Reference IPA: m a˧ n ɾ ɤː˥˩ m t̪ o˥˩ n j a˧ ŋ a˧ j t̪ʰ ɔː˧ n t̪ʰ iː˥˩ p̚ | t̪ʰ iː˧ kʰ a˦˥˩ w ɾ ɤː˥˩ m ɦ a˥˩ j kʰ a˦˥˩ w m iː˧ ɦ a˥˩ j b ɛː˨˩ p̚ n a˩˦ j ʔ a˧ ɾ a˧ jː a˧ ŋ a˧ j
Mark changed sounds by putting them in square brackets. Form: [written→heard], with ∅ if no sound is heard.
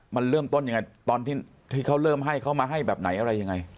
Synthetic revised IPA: m a˧ n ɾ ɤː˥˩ m t̪ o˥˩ n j a˧ ŋ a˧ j [t̪ʰ→t̪] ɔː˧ n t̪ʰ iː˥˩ [p̚→∅] | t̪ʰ [iː˧→iː˥˩] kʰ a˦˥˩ w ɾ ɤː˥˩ m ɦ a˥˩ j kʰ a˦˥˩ w m [iː˧→aː˧] ɦ a˥˩ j b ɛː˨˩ p̚ n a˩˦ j ʔ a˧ ɾ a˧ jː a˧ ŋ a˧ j